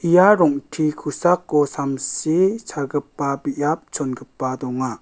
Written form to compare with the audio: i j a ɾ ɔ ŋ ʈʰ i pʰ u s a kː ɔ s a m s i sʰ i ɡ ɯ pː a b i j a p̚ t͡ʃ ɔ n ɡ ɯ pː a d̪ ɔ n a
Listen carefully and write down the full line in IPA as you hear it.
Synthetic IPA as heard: i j a ɾ ɔ ŋ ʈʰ i kʰ u s a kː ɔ s a m s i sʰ a ɡ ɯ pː a b i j a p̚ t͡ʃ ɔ n ɡ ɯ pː a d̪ ɔ ŋ a